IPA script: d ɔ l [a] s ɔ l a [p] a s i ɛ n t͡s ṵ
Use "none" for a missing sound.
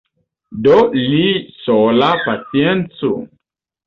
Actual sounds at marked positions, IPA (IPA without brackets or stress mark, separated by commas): i, p